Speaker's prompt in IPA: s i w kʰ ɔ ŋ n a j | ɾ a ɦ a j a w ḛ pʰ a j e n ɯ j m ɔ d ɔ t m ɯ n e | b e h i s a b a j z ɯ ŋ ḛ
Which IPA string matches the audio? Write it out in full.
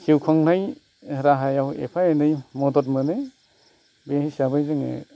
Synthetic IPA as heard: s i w kʰ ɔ ŋ n a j | ɾ a ɦ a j a w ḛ pʰ a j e n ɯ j m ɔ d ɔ t m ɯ n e | b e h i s a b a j z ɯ ŋ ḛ

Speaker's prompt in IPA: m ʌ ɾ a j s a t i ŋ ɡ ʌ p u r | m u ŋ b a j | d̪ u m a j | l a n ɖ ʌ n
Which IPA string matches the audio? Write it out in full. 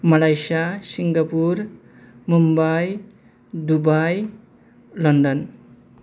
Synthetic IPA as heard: m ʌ l a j s a s i ŋ ɡ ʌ p u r | m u m b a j | d̪ u b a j | l ʌ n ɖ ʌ n

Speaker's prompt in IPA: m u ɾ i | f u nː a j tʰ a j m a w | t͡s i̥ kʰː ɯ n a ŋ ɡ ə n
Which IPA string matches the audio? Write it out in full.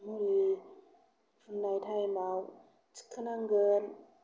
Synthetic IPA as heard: m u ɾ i | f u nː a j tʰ a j m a w | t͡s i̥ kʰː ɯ n a ŋ ɡ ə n

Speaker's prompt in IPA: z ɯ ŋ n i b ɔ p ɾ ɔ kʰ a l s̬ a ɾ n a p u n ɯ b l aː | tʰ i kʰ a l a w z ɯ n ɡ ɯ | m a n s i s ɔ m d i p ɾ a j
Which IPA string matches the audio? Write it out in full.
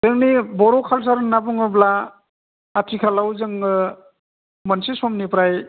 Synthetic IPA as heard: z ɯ ŋ n i b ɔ ɾ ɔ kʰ a l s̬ a ɾ n a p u ŋ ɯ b l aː | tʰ i kʰ a l a w z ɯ ŋ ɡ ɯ | m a n s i s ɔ m n i p ɾ a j

